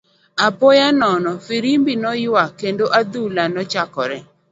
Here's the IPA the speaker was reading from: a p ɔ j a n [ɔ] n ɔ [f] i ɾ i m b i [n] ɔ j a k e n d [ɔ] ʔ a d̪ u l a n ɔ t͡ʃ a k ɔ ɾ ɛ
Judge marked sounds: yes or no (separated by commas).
yes, yes, yes, no